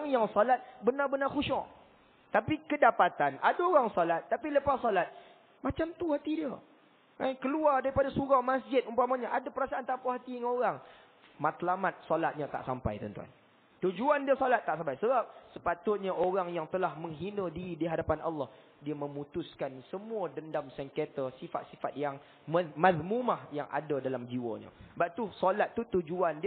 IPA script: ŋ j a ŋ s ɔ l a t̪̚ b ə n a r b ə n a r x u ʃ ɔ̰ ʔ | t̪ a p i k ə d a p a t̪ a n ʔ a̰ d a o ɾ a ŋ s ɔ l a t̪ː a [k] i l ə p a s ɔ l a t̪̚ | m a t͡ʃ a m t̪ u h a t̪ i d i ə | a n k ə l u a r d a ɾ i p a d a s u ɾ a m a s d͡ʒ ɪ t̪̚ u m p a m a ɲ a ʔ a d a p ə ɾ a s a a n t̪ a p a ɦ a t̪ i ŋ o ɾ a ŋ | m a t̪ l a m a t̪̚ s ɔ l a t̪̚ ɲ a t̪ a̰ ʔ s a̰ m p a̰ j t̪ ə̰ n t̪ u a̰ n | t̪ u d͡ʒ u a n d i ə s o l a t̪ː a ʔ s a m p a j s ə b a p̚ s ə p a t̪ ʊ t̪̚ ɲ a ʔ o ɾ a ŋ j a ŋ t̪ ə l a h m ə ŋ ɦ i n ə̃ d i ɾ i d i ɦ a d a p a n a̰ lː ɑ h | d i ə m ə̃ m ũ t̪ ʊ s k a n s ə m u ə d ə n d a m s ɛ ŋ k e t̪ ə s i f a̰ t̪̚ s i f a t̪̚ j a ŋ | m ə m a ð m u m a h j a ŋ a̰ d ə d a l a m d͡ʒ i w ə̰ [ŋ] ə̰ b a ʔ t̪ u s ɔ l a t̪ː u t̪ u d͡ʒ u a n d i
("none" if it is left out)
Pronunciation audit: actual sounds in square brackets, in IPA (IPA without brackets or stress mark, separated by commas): p, ɲ